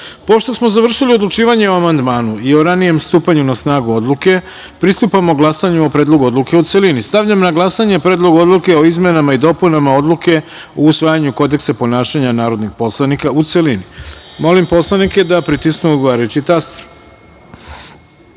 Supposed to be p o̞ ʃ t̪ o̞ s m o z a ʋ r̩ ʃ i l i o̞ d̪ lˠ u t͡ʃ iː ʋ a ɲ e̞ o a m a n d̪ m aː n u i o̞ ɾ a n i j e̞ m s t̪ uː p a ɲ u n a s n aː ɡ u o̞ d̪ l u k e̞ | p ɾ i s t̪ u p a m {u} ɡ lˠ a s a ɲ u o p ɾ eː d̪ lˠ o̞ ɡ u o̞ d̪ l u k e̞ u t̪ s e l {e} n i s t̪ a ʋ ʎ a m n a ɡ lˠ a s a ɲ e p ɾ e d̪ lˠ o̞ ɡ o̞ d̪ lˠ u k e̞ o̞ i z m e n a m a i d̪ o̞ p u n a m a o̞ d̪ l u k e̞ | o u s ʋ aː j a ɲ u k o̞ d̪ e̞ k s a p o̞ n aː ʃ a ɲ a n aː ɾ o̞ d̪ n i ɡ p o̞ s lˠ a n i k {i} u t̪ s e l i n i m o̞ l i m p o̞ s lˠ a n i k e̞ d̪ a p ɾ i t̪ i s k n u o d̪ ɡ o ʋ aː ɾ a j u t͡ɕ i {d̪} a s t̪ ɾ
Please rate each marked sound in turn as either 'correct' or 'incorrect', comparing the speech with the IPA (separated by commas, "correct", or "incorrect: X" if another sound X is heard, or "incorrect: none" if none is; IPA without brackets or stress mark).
incorrect: o, incorrect: i, incorrect: a, incorrect: t̪